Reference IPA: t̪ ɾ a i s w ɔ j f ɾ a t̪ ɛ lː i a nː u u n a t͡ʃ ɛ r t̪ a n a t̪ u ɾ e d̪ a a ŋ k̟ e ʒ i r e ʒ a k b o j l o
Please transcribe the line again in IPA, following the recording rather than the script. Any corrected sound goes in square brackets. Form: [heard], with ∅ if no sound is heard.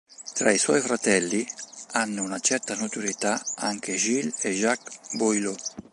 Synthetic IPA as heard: t̪ ɾ a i s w ɔ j f ɾ a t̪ ɛ lː i a nː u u n a t͡ʃ ɛ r t̪ a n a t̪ u ɾ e [t̪] a a ŋ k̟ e ʒ i [l] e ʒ a k b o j l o